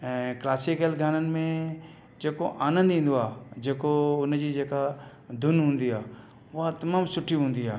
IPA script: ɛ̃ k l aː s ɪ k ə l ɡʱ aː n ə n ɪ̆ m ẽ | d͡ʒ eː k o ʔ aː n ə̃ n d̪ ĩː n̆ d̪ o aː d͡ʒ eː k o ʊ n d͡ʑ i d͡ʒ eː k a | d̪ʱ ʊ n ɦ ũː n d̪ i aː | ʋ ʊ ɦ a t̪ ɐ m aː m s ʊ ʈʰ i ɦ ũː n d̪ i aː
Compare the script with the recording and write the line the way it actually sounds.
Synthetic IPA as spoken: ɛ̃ k l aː s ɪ k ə l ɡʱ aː n ə n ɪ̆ m ẽ | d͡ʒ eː k o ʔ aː n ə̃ n d̪ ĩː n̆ d̪ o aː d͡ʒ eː k o ʊ n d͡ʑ i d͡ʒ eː k a | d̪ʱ ʊ n ɦ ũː n d̪ i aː | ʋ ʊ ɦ a t̪ ɐ m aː m s ʊ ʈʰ i ɦ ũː n d̪ i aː